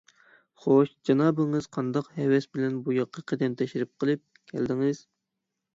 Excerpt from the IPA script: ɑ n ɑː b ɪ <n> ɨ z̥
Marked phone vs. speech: incorrect: ŋ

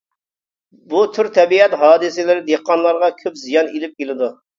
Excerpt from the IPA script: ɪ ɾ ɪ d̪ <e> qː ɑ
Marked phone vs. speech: correct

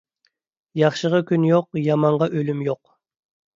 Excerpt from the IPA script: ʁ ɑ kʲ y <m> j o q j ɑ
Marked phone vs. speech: incorrect: n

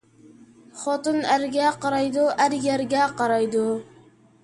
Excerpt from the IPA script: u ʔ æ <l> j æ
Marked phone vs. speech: incorrect: ɾ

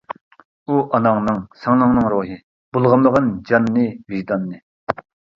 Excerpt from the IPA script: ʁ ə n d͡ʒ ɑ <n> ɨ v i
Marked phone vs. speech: incorrect: nː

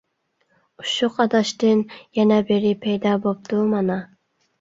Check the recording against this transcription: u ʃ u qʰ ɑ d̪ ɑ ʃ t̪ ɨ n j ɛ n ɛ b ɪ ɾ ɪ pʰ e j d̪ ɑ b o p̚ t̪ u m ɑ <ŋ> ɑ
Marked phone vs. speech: incorrect: n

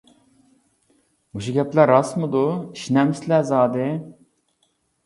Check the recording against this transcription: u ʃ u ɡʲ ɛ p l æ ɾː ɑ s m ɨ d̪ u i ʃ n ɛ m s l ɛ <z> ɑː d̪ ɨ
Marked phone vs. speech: correct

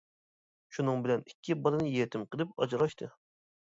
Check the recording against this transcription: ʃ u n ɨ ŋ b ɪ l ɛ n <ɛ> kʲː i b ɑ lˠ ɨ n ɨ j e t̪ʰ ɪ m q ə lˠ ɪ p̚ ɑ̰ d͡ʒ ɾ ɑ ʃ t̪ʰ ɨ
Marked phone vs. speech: incorrect: i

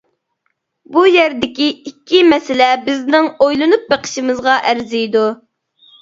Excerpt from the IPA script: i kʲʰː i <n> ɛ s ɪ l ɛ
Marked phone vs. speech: incorrect: m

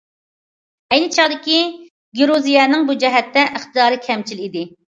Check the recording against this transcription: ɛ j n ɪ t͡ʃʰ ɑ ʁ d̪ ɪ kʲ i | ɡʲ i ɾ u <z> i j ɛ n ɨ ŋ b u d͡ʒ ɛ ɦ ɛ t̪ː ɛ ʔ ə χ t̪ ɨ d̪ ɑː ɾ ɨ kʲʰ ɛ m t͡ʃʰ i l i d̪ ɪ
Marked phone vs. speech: correct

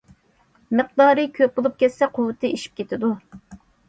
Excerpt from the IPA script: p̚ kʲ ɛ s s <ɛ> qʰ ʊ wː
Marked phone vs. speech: correct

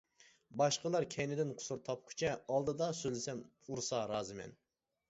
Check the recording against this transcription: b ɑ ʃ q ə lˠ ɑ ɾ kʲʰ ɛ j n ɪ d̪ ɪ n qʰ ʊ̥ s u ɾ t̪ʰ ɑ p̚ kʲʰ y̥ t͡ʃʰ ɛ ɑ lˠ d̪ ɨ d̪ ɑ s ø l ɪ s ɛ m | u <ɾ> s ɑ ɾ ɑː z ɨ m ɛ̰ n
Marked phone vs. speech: correct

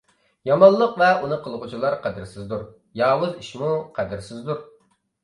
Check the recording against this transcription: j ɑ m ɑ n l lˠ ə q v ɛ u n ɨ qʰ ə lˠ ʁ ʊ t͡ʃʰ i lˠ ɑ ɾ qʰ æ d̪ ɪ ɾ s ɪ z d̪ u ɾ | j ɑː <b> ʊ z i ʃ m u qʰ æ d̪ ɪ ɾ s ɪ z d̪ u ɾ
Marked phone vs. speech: incorrect: w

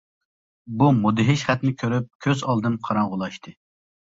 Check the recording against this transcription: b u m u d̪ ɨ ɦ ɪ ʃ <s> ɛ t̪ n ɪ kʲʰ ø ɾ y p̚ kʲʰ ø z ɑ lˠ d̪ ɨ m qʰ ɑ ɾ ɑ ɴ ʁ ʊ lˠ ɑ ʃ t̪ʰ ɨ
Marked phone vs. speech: incorrect: χ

